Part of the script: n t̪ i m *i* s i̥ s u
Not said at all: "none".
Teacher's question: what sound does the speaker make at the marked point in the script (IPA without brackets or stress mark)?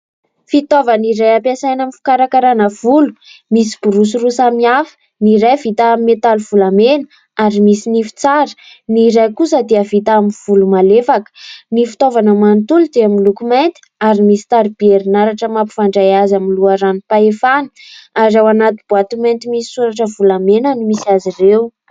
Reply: i